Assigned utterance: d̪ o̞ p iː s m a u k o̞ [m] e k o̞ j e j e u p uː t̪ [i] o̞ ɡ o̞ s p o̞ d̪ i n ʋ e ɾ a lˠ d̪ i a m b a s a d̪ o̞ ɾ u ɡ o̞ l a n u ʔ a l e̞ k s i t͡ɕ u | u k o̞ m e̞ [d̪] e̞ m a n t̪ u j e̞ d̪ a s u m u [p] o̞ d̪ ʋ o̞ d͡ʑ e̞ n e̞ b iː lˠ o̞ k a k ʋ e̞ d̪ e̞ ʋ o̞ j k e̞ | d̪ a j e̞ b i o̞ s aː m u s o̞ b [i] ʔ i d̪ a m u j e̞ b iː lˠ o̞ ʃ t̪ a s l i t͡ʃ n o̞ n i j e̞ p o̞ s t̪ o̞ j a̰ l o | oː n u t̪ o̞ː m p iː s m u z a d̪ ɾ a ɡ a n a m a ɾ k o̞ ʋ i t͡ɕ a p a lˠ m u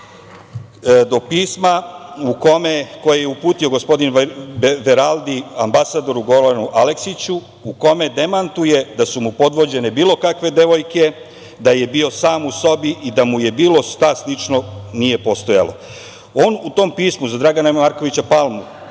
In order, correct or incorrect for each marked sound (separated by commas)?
correct, correct, correct, correct, correct